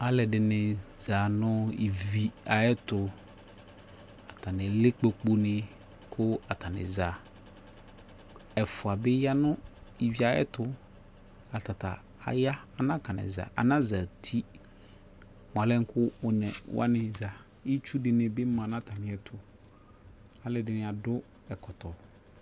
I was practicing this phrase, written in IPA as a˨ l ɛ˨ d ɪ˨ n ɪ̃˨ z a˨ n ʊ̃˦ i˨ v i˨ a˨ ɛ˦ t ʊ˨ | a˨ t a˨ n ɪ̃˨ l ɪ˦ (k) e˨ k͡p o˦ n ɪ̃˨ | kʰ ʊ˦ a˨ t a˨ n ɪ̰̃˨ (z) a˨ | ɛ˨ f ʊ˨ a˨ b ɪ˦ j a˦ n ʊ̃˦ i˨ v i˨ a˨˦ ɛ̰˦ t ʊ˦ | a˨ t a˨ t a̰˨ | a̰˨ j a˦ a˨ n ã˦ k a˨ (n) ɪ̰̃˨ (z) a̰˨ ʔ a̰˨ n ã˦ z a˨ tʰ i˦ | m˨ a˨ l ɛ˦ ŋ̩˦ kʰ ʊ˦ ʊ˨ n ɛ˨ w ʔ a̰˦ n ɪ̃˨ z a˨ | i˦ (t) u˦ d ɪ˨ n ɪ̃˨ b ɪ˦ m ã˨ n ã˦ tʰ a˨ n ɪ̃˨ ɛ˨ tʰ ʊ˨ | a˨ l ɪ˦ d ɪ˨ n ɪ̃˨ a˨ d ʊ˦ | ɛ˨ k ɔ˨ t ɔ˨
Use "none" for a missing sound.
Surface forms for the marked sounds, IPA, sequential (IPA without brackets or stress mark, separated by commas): k͡p, z, n, z, t͡ʃ